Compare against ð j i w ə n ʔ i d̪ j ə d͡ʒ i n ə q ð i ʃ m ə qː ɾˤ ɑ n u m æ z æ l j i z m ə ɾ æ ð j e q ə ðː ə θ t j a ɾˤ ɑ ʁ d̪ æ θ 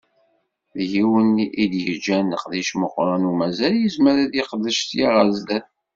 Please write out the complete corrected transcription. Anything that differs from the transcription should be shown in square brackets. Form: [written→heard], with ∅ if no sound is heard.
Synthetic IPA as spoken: ð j i w ə n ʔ i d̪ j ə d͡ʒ [i→æ] n ə q ð i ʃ m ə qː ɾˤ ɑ n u m æ z æ l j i z m ə ɾ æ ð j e q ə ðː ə [θ→ʃ] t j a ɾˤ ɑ [ʁ→z] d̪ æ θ